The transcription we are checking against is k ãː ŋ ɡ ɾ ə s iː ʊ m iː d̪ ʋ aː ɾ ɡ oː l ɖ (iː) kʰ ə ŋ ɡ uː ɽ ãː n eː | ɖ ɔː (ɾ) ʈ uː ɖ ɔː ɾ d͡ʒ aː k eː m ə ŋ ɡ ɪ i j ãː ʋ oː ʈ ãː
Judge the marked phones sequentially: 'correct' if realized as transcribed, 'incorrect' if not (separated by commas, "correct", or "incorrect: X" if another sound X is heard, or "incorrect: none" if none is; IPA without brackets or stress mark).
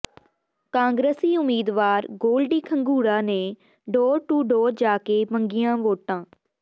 correct, correct